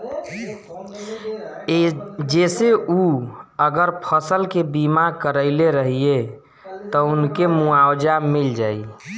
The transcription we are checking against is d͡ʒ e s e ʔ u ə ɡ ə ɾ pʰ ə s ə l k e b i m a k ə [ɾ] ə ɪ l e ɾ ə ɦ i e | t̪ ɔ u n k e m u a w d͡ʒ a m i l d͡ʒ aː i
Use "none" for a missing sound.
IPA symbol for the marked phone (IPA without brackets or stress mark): ɾ